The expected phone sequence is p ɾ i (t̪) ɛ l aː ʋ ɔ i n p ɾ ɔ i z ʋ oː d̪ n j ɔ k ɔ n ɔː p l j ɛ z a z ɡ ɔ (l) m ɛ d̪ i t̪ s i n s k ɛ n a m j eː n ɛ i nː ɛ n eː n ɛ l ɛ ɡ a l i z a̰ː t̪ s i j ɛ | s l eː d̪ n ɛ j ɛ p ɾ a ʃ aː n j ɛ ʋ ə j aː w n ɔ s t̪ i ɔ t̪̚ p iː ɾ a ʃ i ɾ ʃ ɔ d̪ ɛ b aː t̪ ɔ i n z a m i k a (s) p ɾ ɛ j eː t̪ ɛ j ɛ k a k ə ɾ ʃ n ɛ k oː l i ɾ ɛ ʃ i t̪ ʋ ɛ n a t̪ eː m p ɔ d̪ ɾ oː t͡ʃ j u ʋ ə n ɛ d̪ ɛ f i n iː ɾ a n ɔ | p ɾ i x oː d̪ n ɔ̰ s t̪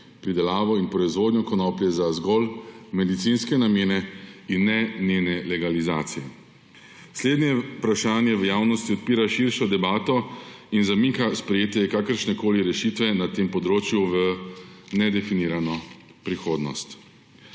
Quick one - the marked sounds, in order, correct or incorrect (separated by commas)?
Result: incorrect, correct, correct